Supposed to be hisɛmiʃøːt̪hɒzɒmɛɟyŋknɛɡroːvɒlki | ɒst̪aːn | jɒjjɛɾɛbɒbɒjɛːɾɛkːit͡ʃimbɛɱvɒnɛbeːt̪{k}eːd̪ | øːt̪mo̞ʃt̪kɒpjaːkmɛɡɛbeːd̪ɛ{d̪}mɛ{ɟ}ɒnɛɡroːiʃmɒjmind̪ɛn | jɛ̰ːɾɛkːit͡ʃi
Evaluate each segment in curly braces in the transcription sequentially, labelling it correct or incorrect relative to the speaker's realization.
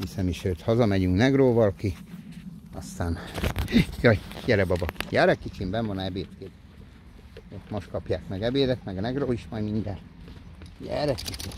correct, incorrect: t̪, incorrect: ɡ

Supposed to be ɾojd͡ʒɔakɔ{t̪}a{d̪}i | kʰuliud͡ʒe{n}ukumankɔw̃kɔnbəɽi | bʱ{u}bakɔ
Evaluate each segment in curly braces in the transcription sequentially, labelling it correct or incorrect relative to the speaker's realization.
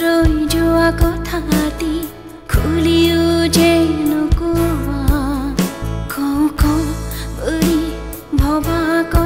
incorrect: t̪ʰ, incorrect: t̪, correct, incorrect: ɔ

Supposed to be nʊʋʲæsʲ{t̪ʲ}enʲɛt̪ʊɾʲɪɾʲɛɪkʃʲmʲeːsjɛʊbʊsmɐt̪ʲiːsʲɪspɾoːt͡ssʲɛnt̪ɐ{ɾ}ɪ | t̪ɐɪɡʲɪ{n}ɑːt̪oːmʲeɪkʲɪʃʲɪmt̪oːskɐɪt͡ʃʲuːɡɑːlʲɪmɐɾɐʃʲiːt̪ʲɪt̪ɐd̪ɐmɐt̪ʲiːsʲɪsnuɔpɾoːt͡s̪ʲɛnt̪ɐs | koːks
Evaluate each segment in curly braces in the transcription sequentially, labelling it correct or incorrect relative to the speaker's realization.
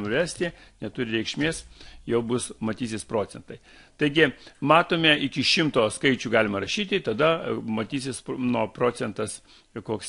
correct, incorrect: none, incorrect: m

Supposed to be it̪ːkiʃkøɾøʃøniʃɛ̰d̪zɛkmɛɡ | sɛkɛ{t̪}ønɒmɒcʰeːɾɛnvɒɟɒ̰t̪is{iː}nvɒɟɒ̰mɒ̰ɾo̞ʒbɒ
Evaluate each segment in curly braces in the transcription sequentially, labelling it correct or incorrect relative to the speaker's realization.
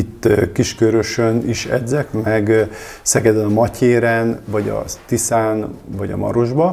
incorrect: d̪, incorrect: aː

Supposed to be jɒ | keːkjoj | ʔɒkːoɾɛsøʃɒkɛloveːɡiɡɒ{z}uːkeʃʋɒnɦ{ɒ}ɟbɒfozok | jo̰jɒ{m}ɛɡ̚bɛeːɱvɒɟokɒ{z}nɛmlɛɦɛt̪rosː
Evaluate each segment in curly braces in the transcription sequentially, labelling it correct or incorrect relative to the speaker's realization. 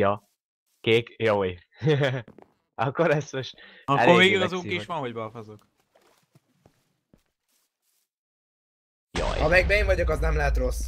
correct, incorrect: o, correct, correct

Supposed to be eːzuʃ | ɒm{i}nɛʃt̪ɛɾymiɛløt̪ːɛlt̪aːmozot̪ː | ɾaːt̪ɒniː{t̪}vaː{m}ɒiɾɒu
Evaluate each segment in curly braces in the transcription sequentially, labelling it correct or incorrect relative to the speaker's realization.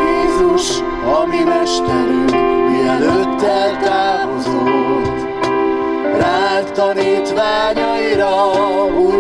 correct, correct, incorrect: ɲ

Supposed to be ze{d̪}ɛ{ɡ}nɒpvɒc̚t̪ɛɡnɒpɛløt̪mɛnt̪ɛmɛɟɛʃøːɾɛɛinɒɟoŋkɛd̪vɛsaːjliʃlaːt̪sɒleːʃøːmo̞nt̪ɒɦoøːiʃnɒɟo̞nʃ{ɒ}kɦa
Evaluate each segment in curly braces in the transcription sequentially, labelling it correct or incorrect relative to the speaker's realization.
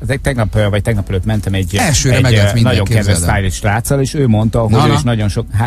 incorrect: t̪, correct, incorrect: o

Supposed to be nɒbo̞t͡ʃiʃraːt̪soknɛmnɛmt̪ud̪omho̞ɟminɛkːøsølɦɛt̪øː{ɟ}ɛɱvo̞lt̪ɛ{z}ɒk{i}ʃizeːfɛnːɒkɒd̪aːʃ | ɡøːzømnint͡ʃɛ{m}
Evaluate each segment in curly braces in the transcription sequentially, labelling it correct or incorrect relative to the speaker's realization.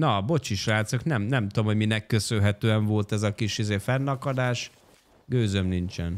incorrect: none, correct, correct, incorrect: n

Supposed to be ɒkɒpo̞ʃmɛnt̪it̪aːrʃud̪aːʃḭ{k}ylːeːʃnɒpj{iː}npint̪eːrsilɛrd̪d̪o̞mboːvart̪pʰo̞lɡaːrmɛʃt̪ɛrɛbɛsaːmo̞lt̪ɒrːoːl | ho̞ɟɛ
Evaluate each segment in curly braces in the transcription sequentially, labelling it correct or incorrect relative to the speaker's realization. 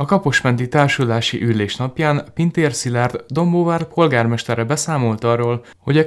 incorrect: ʔ, incorrect: aː

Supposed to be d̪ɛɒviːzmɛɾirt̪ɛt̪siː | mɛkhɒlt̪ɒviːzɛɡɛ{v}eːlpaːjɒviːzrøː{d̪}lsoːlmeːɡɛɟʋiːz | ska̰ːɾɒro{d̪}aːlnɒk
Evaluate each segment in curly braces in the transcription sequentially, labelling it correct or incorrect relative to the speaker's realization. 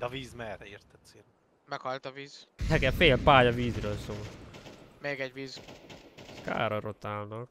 incorrect: f, incorrect: none, incorrect: t̪

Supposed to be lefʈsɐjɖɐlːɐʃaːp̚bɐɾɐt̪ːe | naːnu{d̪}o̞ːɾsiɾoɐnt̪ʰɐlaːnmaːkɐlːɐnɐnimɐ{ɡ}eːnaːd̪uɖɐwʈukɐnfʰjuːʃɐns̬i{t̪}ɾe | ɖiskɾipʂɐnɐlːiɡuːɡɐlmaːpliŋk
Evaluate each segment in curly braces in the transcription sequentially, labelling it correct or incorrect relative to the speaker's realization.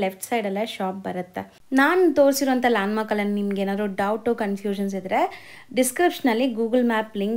incorrect: t̪, correct, incorrect: d̪

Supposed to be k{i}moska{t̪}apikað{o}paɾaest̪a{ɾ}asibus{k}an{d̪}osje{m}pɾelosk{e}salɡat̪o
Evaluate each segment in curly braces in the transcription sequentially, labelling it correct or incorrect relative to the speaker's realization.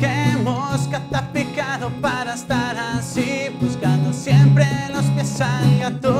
incorrect: e, correct, correct, correct, correct, correct, correct, correct

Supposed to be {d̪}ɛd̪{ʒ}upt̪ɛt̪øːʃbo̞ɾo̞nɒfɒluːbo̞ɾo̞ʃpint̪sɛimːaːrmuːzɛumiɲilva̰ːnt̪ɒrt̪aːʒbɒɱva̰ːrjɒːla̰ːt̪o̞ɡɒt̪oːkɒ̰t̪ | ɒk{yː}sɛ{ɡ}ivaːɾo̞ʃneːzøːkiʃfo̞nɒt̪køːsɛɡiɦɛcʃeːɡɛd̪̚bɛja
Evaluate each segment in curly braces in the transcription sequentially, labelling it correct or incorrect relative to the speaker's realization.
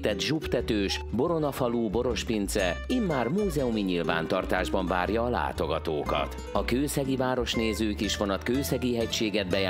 incorrect: t̪, correct, incorrect: øː, correct

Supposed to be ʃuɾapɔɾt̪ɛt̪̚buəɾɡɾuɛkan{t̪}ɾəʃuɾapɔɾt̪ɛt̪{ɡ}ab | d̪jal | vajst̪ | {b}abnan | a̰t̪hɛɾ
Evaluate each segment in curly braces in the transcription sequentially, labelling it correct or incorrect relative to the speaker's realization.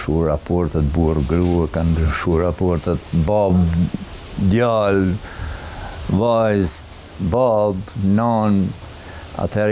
incorrect: d̪, incorrect: b, correct

